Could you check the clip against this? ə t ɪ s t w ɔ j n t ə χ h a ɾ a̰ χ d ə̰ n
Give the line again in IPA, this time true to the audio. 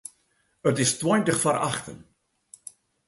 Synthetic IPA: ə t ɪ s t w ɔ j n t ə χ f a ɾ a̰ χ t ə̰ n